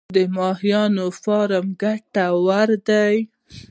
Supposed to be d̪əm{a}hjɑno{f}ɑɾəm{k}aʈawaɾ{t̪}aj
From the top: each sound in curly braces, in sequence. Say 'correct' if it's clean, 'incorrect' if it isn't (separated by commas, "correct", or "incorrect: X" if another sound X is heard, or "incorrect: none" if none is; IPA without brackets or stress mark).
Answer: incorrect: ɑ, correct, incorrect: ɡ, incorrect: d̪